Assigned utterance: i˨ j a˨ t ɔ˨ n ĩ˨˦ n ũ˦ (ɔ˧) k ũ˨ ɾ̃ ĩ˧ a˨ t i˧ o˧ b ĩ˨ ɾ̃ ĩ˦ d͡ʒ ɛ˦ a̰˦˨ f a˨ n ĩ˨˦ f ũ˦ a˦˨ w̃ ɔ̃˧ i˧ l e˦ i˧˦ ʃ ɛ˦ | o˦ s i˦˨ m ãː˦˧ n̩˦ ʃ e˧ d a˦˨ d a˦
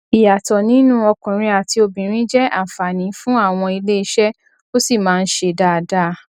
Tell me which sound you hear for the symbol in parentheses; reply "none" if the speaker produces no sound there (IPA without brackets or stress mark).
ɔ˧